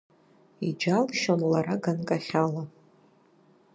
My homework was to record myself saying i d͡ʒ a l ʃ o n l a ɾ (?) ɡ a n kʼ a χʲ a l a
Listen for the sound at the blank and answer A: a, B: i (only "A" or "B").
A